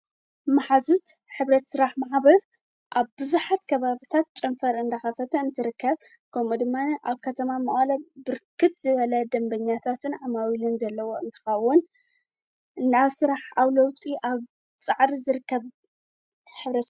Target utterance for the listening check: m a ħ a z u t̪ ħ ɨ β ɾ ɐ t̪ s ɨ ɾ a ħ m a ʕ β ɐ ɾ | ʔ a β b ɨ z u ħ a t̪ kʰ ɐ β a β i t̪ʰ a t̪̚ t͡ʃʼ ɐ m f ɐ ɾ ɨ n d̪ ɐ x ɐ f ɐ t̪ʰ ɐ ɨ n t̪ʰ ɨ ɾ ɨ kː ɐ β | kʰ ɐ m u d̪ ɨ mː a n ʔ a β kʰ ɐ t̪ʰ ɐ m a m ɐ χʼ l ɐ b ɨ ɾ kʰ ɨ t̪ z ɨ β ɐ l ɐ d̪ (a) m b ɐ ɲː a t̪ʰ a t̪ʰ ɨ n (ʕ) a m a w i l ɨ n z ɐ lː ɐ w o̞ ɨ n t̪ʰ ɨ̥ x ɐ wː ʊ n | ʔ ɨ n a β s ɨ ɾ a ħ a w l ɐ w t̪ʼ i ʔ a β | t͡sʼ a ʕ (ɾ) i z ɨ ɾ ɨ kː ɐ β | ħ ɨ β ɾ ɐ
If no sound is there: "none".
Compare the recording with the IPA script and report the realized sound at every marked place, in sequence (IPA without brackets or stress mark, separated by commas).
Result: ɐ, ʕ, ɾ